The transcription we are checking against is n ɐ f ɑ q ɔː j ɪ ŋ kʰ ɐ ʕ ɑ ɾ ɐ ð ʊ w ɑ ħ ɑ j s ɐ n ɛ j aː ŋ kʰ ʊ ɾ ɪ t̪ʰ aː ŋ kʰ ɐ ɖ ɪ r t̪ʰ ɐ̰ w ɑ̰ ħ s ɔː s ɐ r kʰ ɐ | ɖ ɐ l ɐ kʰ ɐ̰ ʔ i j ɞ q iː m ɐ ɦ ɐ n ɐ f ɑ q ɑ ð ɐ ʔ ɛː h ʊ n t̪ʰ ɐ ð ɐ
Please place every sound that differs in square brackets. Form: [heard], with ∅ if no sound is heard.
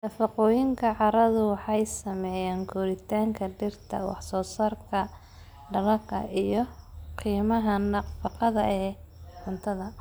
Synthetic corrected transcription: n ɐ f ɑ q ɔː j ɪ ŋ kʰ ɐ ʕ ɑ ɾ ɐ ð ʊ w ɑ ħ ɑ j s ɐ [m] ɛ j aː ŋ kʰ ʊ ɾ ɪ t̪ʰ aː ŋ kʰ ɐ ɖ ɪ r t̪ʰ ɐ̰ w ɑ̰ ħ s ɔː s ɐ r kʰ ɐ | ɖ ɐ l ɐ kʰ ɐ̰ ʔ i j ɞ q iː m ɐ ɦ ɐ n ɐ f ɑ q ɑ ð ɐ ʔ ɛː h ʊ n t̪ʰ ɐ ð ɐ